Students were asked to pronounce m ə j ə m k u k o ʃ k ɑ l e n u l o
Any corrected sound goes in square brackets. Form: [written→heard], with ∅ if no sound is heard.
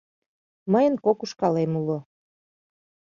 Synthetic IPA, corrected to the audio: m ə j ə [m→n] k [u→o] k [o→u] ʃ k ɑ l e [n→m] u l o